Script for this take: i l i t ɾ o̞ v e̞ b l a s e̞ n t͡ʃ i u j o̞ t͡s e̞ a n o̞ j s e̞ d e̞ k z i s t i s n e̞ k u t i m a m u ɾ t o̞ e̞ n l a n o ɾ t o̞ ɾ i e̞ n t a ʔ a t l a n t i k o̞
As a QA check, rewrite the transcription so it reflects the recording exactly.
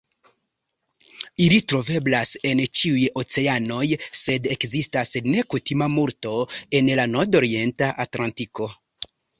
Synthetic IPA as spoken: i l i t ɾ o̞ v e̞ b l a s e̞ n t͡ʃ i u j o̞ t͡s e̞ a n o̞ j s e̞ d e̞ k z i s t a s n e̞ k u t i m a m u ɾ t o̞ e̞ n l a n o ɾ d o̞ ɾ i e̞ n t a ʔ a t l a n t i k o̞